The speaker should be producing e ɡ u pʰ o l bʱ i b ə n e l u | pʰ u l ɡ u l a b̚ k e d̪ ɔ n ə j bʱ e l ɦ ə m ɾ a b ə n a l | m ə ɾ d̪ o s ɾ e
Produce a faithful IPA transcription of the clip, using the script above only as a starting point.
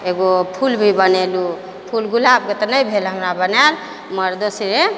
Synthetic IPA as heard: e ɡ o pʰ u l bʱ i b ə n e l u | pʰ u l ɡ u l a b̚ k e t̪ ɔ n ə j bʱ e l ɦ ə m ɾ a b ə n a l | m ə ɾ d̪ o s ɾ e

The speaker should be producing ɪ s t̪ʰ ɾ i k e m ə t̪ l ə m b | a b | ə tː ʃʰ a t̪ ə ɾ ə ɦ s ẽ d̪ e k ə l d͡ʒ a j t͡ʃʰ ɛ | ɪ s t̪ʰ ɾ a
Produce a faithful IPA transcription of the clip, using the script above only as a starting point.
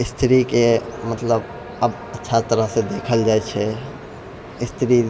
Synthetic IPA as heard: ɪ s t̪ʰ ɾ i k e m ə t̪ l ə b | ə b | ə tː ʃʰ a t̪ ə ɾ ə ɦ s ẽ d̪ e kʰ ə l d͡ʒ a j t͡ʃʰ ɛ | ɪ s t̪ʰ ɾ i

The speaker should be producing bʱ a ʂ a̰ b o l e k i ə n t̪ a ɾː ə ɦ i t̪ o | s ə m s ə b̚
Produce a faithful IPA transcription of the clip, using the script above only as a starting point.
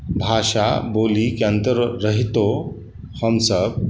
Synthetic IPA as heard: bʱ a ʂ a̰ b o l i k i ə n t̪ ə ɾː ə ɦ i t̪ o | h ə m s ə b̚

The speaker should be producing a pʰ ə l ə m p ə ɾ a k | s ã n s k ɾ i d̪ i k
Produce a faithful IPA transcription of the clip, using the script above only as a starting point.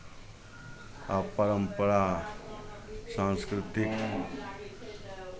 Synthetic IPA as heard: a p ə ɾ ə m p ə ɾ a | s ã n s k ɾ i t̪ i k

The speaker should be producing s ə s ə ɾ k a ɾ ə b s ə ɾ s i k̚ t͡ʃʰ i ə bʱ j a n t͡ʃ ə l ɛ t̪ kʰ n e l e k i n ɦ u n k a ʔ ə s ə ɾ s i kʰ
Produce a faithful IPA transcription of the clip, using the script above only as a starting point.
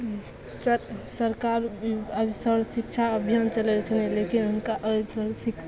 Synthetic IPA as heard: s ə s ə ɾ k a ɾ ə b s ə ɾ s i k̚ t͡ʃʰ a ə bʱ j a n t͡ʃ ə l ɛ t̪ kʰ n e l e k i n ɦ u n k a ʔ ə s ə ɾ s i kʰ

